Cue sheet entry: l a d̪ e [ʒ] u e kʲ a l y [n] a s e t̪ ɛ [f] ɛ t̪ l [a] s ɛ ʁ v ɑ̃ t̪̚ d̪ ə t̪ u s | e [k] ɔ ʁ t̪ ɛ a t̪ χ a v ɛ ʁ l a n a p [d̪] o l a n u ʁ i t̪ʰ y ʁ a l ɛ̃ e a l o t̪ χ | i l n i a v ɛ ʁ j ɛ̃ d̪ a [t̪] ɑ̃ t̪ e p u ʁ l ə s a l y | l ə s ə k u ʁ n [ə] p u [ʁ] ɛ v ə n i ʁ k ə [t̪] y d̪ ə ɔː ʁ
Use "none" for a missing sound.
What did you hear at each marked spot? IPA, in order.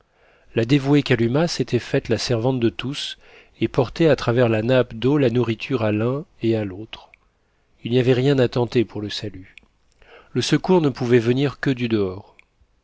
v, m, f, a, p, d̪, t̪, ə, v, d̪

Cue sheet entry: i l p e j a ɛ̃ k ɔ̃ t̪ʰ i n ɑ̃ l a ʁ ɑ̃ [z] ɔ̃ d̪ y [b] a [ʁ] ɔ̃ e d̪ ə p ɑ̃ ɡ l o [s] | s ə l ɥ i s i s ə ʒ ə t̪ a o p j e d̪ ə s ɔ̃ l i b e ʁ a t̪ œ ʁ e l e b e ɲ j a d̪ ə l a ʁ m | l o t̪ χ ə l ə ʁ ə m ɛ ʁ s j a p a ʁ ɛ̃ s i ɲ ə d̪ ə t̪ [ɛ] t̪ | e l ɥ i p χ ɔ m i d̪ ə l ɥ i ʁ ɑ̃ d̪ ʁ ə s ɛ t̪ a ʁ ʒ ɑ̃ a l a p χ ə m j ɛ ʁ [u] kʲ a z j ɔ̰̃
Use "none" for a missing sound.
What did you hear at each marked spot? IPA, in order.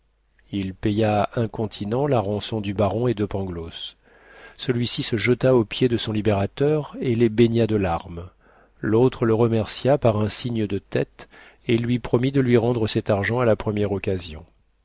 s, b, ʁ, s, ɛ, ɔ

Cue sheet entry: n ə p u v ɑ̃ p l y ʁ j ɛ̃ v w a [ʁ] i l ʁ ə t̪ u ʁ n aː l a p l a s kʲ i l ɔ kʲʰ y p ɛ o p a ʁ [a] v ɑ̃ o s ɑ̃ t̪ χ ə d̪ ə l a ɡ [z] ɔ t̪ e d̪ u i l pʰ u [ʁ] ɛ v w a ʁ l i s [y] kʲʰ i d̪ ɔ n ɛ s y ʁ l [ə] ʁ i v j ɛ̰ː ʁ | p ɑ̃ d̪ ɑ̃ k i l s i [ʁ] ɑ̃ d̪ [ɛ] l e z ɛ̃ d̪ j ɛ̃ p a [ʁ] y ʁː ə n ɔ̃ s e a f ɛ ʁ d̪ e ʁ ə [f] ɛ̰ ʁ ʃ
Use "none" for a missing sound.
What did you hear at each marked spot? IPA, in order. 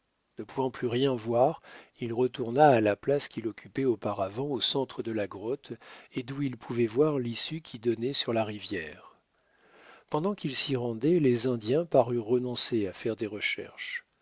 ʁ, a, ʁ, v, y, a, ʁ, ɛ, ʁ, ʃ

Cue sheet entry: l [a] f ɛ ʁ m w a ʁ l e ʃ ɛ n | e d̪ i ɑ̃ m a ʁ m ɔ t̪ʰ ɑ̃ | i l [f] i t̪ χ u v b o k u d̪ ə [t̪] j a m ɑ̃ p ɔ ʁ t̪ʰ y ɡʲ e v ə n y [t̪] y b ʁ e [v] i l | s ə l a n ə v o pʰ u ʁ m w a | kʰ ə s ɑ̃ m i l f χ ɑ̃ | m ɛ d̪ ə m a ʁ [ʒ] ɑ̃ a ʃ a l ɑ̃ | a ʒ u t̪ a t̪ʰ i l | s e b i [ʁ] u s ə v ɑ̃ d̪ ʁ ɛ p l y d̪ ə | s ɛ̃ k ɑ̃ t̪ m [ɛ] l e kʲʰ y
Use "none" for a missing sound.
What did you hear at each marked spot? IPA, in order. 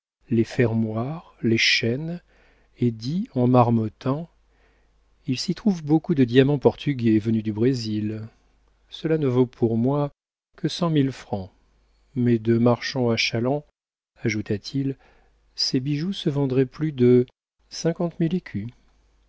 e, s, d̪, d̪, z, ʃ, ʒ, i

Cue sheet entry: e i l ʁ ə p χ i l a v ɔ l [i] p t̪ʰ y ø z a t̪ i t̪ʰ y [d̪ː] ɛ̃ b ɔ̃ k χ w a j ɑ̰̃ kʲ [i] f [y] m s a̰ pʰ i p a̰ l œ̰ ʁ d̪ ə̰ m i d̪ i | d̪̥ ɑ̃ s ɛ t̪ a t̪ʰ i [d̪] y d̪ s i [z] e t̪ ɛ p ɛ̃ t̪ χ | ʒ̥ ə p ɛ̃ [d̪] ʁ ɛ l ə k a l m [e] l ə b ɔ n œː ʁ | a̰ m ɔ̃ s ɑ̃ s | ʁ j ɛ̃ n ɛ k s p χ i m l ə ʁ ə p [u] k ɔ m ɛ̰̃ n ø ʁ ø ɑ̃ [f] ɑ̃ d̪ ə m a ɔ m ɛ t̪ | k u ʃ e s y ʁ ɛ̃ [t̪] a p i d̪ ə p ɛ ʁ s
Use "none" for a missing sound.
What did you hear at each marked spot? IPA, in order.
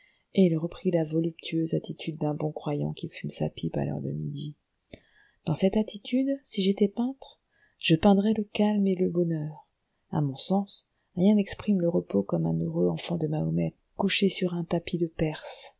y, d̪ː, i, y, t̪, ʒ, d̪, e, o, f, t̪

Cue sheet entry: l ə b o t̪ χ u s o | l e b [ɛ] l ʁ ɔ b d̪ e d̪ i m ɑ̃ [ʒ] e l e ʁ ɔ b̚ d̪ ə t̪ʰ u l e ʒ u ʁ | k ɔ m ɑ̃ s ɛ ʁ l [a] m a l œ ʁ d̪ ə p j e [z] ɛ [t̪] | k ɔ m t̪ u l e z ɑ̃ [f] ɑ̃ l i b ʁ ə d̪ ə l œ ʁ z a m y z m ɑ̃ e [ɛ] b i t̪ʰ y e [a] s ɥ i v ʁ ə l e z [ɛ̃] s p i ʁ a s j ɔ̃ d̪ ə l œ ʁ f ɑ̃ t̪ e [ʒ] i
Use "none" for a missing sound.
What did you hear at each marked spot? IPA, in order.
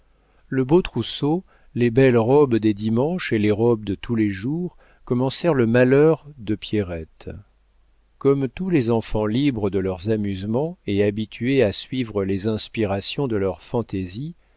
ɛ, ʃ, ə, ʁ, t̪, f, a, a, ɛ̃, z

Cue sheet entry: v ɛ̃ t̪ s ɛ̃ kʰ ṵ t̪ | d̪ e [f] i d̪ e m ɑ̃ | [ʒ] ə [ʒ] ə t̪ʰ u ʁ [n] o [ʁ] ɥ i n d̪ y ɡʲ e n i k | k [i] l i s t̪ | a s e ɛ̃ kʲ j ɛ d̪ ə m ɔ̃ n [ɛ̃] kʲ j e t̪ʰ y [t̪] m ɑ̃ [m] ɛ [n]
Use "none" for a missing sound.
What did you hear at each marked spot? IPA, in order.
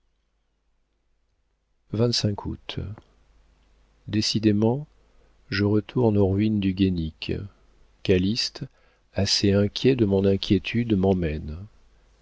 s, ʒ, ʁ, n, ʁ, a, ɛ̃, d̪, m, n

